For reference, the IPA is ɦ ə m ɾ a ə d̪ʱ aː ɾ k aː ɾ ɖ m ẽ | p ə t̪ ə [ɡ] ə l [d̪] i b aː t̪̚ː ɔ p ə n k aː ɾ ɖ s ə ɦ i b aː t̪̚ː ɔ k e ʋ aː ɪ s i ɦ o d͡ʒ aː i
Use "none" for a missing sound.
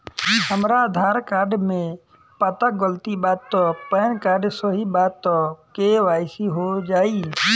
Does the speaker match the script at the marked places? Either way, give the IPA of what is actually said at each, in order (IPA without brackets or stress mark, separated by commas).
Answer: ɡ, t̪